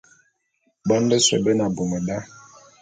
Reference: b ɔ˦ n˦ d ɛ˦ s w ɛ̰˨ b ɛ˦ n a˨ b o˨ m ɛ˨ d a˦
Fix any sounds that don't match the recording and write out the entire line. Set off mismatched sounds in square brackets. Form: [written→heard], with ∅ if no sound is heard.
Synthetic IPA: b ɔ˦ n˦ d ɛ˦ s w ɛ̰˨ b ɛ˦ n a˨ b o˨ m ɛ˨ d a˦